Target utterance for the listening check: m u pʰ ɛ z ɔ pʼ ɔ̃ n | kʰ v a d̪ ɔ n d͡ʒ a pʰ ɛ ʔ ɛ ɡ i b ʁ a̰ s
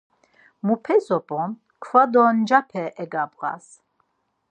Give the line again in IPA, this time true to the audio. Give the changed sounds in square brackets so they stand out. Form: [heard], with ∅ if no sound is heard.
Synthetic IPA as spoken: m u pʰ ɛ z ɔ pʼ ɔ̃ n | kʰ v a d̪ ɔ n d͡ʒ a pʰ ɛ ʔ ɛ ɡ [a] b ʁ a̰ s